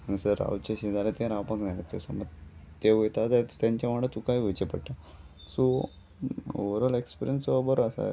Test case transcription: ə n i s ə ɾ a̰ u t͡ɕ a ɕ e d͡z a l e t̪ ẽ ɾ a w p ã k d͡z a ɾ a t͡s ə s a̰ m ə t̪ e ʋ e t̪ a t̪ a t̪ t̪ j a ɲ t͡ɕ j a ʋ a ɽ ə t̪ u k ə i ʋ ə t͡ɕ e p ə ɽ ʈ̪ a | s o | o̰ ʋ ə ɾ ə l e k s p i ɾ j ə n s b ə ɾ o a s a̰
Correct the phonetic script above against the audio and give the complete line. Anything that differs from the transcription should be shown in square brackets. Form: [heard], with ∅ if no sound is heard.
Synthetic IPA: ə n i s ə ɾ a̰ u t͡ɕ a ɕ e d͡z a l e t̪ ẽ ɾ a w p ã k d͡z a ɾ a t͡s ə s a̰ m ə t̪ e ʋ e t̪ a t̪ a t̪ t̪ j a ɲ t͡ɕ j a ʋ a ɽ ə t̪ u k [a] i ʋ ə t͡ɕ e p ə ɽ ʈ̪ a | s o | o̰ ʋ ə ɾ ə l e k s p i ɾ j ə n s b ə ɾ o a s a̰